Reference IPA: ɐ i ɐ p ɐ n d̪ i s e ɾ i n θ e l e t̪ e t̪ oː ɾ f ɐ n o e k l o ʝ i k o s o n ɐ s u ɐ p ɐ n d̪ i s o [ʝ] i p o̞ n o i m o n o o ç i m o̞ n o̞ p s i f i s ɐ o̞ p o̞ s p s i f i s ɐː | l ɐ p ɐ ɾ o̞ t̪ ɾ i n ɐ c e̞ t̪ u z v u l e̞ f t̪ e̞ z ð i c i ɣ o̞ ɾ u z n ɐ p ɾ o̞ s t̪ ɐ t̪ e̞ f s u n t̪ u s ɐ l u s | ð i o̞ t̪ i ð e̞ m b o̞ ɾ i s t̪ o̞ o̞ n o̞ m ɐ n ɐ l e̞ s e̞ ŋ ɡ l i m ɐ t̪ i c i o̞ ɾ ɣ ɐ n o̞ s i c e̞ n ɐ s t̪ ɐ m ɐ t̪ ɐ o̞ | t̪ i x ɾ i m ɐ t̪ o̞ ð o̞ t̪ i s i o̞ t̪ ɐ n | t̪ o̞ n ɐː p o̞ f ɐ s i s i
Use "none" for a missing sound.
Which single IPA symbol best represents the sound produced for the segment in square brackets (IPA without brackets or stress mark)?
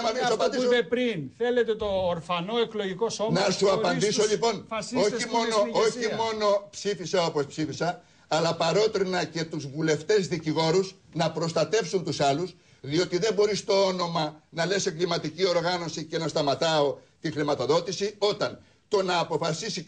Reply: ʎ